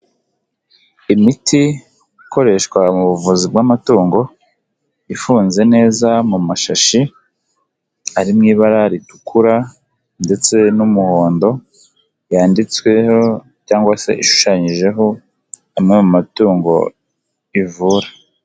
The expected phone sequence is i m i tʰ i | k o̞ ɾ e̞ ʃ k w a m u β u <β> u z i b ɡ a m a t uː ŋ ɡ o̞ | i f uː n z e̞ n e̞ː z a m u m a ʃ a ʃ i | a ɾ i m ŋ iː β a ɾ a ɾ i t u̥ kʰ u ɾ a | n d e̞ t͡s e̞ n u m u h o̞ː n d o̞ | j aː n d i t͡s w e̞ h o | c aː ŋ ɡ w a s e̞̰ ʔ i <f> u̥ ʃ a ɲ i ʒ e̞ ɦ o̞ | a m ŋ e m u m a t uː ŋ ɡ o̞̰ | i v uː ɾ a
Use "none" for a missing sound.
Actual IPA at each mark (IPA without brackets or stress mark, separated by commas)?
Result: v, ʃ